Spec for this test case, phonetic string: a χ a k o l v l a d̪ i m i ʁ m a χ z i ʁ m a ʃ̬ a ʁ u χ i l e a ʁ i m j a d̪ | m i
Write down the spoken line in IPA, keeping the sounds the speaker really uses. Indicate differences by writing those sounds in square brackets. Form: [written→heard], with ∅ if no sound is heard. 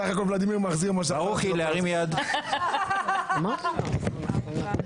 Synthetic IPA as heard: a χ a k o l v l a d̪ i m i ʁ m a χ z i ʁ m a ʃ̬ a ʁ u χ i l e a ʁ i m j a d̪ | m [i→a]